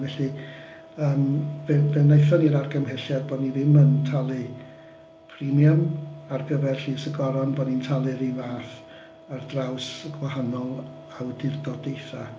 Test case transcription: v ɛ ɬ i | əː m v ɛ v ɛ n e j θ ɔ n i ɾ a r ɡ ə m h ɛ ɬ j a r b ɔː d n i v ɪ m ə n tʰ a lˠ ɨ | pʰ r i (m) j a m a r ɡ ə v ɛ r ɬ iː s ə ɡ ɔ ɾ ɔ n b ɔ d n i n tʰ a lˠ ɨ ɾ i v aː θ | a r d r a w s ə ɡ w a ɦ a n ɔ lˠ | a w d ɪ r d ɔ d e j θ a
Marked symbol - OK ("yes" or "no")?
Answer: yes